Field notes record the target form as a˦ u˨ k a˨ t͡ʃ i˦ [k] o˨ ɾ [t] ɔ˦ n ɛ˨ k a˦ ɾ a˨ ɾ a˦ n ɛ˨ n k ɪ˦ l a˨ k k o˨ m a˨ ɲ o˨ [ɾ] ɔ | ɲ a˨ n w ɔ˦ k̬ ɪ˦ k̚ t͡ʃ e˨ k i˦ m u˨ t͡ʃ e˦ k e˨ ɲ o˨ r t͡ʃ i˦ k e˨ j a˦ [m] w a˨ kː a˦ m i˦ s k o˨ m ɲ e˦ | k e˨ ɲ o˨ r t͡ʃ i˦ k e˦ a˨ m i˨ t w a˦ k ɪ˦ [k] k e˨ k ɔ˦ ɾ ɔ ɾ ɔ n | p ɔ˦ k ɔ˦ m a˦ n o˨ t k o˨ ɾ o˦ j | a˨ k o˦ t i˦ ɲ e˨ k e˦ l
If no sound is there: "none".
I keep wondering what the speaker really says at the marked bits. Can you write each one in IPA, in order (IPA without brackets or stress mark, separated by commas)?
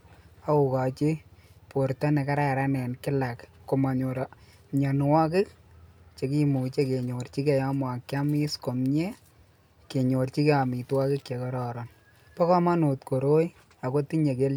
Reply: p, t, ɾ, m, k